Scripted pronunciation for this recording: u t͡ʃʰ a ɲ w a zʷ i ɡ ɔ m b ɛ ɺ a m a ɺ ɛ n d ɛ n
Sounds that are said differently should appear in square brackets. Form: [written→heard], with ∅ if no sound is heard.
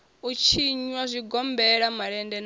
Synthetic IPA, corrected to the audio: u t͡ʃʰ [a→i] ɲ w a zʷ i ɡ ɔ m b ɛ ɺ a m a ɺ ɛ n d ɛ n